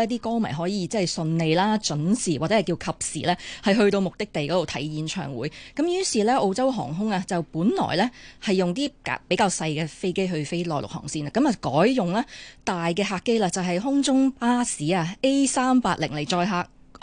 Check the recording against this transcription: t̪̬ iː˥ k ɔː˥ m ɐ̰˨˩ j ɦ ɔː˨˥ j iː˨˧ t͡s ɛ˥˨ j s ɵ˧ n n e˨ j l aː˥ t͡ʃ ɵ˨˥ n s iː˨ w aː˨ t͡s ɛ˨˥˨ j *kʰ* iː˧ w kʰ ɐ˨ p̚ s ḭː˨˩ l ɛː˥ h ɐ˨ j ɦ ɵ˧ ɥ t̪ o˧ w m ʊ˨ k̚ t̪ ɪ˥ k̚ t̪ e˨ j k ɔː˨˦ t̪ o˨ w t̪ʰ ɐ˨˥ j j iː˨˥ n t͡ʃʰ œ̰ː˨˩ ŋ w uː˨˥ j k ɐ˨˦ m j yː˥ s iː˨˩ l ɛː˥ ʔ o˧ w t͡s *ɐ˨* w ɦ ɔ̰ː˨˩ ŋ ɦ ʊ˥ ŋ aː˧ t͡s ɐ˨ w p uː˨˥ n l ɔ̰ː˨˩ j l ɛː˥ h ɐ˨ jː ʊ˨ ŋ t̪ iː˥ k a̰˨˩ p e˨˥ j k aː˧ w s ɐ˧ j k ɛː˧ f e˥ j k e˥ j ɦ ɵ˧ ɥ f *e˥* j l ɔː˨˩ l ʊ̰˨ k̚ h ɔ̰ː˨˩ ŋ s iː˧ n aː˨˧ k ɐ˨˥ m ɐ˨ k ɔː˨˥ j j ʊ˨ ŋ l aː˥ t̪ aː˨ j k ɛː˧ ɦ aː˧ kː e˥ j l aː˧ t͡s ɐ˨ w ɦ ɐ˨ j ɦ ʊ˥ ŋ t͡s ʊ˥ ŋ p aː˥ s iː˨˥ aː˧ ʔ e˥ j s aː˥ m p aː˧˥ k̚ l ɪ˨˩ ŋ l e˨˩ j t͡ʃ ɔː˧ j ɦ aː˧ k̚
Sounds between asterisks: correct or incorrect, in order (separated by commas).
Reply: incorrect, incorrect, correct